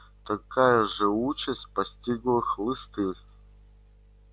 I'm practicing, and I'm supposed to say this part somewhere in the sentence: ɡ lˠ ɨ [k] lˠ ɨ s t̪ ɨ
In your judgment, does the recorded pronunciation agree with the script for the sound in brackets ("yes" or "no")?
no